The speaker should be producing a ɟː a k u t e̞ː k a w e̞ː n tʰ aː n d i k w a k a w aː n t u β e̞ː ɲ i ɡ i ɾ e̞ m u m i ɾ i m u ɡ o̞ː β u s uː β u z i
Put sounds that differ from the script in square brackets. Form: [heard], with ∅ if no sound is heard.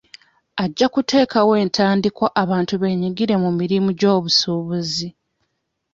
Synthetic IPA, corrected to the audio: a ɟː a k u t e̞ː k a w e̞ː n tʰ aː n d i k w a [ʔ] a [β] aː n t u β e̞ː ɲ i ɡ i ɾ e̞ m u m i ɾ i m u [ɟ] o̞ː β u s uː β u z i